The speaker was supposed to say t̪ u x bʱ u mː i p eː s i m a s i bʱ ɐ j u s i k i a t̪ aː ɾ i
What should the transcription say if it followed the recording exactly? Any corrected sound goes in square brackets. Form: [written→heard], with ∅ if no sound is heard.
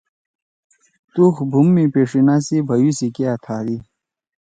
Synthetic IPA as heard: t̪ u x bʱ u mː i p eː [s→ʂ] i [m→n] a s i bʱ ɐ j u s i k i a [t̪→t̪ʰ] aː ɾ i